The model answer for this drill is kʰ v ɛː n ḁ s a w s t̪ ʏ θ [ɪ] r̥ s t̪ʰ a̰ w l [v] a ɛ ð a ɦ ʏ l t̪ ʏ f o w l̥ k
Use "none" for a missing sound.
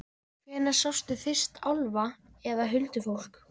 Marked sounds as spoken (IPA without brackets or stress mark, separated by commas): ɪ, v